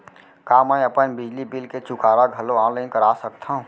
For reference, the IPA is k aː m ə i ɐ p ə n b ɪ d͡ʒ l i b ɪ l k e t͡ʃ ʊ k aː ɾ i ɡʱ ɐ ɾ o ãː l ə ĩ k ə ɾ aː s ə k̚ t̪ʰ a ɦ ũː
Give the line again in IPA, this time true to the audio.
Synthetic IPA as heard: k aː m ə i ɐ p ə n b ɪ d͡ʒ l i b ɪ l k e t͡ʃ ʊ k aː ɾ a ɡʱ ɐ l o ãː l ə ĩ k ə ɾ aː s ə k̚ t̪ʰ a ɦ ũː